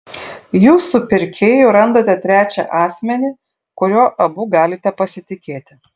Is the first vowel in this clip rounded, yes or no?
yes